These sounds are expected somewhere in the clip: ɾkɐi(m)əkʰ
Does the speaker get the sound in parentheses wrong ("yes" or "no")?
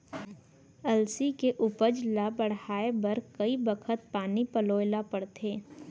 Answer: yes